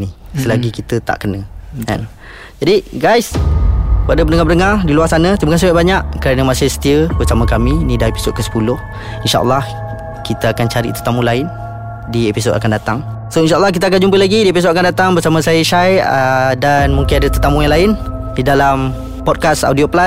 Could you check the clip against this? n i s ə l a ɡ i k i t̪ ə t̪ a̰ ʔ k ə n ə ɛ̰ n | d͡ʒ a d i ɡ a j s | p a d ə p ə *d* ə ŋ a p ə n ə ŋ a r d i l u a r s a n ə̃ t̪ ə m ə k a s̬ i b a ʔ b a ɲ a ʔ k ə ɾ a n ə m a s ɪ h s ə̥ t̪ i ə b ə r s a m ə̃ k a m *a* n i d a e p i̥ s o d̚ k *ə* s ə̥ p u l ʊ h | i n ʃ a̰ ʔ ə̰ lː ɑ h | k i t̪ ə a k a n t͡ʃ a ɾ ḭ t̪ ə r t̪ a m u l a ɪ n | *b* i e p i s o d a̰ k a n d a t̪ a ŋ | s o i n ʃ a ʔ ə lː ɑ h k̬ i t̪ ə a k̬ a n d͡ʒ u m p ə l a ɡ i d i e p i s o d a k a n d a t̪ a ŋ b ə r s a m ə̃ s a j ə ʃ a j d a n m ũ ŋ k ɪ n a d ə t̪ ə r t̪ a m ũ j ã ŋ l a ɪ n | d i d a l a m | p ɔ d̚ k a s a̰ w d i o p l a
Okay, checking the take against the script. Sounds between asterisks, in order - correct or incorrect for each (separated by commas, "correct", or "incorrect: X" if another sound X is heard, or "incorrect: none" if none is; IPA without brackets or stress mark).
incorrect: n, incorrect: i, correct, incorrect: d